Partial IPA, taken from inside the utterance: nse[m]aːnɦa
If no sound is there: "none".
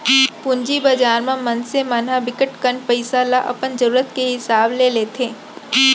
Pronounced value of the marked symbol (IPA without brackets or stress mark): m